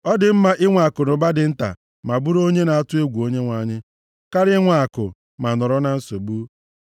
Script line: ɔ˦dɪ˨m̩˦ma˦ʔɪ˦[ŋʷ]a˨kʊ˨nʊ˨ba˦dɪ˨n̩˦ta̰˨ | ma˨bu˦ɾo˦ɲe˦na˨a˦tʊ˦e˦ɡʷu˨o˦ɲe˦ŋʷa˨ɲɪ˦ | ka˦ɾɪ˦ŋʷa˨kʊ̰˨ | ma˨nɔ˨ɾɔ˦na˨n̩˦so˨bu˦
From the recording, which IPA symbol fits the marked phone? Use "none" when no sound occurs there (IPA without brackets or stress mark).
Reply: ŋʷ